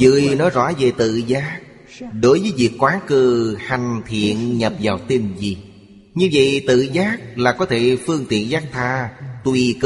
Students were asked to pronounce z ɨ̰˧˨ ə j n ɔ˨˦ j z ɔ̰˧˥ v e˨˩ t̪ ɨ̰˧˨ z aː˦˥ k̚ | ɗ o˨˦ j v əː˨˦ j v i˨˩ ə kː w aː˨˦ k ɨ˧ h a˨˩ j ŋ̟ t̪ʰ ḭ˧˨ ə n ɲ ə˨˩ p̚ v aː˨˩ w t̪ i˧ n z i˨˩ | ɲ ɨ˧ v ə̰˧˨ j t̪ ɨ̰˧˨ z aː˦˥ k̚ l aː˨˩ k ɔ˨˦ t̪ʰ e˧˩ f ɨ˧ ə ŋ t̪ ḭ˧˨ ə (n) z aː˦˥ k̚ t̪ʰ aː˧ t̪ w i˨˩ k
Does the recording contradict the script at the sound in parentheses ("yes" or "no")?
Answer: no